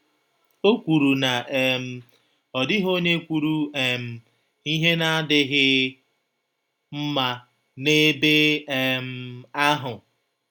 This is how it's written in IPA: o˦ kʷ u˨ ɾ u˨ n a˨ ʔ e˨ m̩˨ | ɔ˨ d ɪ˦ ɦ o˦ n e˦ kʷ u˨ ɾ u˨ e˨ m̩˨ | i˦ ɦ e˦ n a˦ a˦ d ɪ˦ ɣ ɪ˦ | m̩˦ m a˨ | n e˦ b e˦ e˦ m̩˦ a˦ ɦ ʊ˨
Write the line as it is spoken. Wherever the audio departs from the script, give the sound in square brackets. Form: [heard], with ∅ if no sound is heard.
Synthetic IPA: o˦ kʷ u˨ ɾ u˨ n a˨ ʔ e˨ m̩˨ | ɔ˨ d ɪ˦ ɦ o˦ [ɲ] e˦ kʷ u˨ ɾ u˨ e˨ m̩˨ | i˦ ɦ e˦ n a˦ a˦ d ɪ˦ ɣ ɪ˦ | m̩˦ m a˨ | n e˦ b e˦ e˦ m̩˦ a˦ ɦ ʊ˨